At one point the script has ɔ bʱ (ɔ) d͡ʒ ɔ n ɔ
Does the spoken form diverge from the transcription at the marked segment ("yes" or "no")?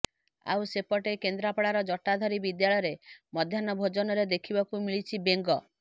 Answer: yes